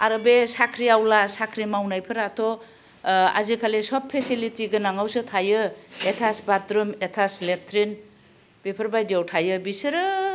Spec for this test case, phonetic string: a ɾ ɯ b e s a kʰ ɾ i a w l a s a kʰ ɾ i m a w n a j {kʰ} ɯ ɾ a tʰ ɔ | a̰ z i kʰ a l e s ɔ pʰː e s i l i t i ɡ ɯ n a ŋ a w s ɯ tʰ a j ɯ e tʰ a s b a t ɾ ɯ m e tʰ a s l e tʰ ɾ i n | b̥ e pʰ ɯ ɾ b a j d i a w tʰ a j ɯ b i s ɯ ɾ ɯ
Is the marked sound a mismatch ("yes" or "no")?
yes